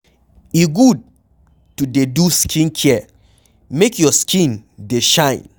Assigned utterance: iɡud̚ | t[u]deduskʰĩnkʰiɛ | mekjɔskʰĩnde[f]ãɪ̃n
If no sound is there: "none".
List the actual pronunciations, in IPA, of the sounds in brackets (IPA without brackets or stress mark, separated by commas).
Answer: u, ʃ